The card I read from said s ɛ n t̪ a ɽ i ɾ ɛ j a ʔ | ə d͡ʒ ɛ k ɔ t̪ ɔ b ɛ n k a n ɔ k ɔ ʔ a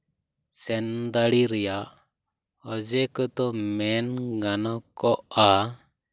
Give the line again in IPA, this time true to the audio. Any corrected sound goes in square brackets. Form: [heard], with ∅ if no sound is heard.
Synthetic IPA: s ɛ n [d̪] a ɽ i ɾ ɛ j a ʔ | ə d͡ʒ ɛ k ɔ t̪ ɔ [m] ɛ n [ɡ] a n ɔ k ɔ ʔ a